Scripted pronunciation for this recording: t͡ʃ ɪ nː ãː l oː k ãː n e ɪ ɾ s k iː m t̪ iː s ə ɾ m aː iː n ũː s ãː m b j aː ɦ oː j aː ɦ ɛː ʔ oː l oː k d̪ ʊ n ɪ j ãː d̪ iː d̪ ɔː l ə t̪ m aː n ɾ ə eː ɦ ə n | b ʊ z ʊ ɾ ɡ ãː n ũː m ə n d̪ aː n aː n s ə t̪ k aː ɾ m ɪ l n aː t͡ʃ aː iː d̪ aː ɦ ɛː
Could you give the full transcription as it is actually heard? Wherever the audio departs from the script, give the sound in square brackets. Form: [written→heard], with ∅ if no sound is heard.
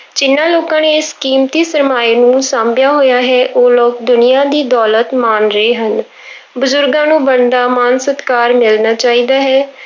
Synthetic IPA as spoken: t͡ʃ ɪ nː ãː l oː k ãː n e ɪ [ɾ→∅] s k iː m t̪ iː s ə ɾ m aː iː n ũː s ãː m b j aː ɦ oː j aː ɦ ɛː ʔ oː l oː k d̪ ʊ n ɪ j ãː d̪ iː d̪ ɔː l ə t̪ m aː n ɾ ə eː ɦ ə n | b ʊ z ʊ ɾ ɡ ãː n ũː [m→b] ə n d̪ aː [n→m] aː n s ə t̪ k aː ɾ m ɪ l n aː t͡ʃ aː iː d̪ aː ɦ ɛː